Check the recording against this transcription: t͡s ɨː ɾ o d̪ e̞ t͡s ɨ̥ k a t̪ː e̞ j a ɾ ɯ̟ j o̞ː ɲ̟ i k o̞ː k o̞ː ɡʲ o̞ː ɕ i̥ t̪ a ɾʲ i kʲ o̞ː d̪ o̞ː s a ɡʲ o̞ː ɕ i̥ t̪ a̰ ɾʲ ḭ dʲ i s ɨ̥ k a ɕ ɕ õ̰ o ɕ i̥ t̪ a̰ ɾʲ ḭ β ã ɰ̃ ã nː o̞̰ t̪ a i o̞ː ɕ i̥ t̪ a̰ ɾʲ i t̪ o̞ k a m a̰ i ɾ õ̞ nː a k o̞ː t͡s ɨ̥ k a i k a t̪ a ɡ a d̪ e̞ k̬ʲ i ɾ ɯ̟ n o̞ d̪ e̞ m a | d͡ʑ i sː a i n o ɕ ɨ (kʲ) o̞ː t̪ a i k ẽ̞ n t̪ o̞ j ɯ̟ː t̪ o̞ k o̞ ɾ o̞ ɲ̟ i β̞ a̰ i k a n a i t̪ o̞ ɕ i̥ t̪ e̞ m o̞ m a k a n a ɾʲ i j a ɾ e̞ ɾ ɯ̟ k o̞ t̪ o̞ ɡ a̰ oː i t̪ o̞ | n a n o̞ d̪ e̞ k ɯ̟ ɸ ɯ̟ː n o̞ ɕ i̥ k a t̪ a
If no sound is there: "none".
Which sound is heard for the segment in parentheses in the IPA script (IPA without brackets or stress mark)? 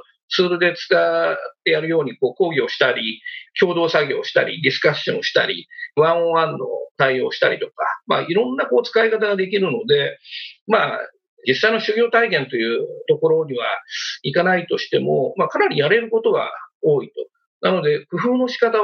ɡʲ